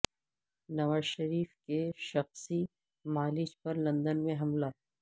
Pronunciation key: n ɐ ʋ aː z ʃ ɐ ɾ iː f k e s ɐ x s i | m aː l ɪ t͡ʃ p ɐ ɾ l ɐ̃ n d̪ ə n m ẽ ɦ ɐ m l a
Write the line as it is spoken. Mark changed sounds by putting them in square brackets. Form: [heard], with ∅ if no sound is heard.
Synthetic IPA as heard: n ɐ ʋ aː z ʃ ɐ ɾ iː f k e [ʃ] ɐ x s i | m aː l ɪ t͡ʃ p ɐ ɾ l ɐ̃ n d̪ ə n m ẽ ɦ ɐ m l a